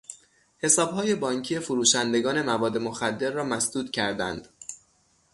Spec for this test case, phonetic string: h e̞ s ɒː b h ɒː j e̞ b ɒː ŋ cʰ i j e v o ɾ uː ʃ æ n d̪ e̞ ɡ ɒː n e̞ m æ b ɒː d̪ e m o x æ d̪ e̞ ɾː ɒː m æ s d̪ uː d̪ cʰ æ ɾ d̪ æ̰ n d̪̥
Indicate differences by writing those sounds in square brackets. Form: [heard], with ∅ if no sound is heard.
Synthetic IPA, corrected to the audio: h e̞ s ɒː b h ɒː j e̞ b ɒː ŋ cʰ i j e [f] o ɾ uː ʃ æ n d̪ e̞ ɡ ɒː n e̞ m æ [v] ɒː d̪ e m o x æ [d̪ː] e̞ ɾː ɒː m æ s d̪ uː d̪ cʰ æ ɾ d̪ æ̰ n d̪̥